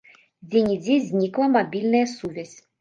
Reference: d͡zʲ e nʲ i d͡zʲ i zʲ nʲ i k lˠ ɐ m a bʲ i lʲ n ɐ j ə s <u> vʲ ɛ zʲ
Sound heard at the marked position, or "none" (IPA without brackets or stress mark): u